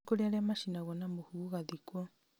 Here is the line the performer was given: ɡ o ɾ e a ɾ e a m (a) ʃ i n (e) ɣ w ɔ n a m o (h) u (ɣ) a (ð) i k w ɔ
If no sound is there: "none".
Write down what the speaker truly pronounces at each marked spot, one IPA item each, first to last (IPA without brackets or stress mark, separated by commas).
a, a, h, ɣ, ð